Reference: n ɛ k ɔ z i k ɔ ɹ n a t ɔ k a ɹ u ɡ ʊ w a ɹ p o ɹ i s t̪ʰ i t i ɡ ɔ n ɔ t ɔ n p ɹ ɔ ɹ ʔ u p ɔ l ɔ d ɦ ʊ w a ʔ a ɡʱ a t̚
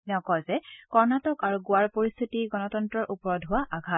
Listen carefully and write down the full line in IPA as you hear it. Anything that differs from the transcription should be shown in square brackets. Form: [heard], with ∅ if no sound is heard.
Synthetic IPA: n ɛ k ɔ z [ɛ] k ɔ ɹ n a t ɔ k a ɹ u ɡ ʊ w a ɹ p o ɹ i s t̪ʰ i t i ɡ ɔ n ɔ t ɔ n [t] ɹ ɔ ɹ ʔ u p ɔ [ɹ] ɔ d ɦ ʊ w a ʔ a ɡʱ a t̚